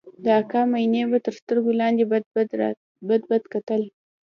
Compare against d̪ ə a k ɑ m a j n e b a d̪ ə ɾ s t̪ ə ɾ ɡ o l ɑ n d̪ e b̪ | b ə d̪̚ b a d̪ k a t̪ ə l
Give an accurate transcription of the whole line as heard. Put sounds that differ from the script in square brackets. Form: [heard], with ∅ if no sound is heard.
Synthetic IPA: d̪ ə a k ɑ m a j n e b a [t̪] ə ɾ s t̪ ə ɾ ɡ o l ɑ n d̪ e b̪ | b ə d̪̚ b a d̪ k a t̪ ə l